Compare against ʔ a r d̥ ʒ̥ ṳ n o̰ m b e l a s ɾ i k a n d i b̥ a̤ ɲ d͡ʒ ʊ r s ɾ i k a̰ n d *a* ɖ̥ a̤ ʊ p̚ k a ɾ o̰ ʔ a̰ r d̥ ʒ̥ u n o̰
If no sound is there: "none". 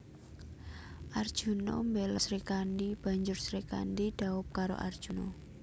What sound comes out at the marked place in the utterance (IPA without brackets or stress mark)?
i